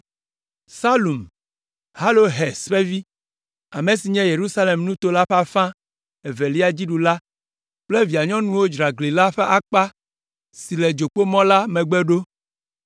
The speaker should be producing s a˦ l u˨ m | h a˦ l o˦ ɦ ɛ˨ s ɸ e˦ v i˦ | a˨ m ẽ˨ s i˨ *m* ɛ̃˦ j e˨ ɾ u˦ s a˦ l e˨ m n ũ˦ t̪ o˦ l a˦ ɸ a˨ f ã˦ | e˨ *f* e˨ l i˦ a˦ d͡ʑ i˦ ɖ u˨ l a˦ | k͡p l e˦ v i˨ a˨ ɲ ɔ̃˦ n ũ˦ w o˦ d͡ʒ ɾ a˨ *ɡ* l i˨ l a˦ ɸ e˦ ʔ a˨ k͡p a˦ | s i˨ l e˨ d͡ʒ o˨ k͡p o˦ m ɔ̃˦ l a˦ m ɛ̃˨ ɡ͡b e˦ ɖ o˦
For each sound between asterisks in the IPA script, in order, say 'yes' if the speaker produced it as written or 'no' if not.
no, no, yes

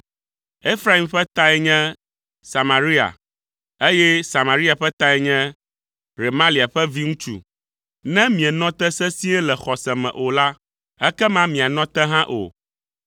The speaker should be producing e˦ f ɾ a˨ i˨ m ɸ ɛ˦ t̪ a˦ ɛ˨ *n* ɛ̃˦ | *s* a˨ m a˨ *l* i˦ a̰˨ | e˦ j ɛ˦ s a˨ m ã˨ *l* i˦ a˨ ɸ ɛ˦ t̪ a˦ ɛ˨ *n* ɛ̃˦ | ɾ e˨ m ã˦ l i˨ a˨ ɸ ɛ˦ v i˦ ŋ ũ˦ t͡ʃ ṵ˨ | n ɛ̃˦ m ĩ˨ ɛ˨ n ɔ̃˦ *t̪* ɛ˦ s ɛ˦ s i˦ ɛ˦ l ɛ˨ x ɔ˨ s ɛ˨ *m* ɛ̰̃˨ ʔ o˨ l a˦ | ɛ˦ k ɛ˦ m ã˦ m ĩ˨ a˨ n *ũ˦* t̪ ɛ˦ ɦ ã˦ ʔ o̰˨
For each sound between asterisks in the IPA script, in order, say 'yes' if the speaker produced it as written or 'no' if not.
no, yes, no, no, no, yes, yes, no

